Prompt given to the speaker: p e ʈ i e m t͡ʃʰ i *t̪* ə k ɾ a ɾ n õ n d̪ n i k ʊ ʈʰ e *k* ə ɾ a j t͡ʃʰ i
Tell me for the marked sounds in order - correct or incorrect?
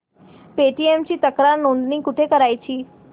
correct, correct

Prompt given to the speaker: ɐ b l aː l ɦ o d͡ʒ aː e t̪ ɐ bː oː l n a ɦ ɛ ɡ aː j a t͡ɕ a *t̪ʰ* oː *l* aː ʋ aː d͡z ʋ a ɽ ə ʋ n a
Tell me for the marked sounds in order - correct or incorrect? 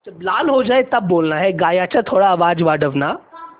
correct, incorrect: ɽ

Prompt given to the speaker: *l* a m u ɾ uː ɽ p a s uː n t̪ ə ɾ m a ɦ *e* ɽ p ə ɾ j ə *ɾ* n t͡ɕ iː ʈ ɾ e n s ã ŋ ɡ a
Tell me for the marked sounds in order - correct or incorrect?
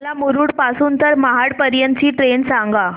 correct, incorrect: a, incorrect: none

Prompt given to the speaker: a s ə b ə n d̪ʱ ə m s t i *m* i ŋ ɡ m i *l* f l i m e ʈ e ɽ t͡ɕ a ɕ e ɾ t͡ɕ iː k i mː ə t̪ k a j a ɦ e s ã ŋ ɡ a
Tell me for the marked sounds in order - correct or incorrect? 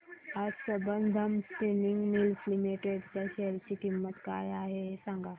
incorrect: n, correct

